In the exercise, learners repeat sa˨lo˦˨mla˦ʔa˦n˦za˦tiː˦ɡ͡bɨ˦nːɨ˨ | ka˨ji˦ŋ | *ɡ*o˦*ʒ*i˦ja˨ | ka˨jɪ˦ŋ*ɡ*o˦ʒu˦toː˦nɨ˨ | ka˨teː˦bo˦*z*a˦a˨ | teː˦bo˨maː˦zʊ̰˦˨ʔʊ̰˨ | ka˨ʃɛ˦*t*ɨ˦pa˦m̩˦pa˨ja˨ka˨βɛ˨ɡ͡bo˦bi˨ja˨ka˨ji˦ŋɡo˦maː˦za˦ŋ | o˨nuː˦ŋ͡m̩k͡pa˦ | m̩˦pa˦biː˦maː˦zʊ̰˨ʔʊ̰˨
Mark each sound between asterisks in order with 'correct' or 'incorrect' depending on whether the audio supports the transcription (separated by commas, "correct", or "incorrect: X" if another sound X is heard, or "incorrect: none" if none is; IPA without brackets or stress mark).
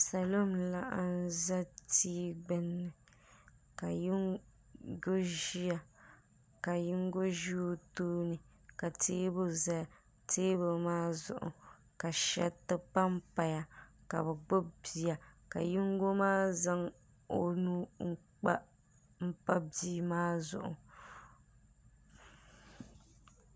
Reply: correct, correct, correct, correct, correct